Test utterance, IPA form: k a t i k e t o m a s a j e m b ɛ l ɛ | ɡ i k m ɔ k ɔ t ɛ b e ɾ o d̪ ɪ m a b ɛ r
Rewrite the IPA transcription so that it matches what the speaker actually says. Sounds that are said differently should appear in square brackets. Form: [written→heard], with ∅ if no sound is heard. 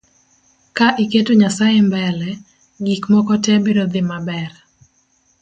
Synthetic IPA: k a [t→ʔ] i k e t o [m→ɲ] a s a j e m b ɛ l ɛ | ɡ i k m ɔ k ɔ t ɛ b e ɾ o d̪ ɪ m a b ɛ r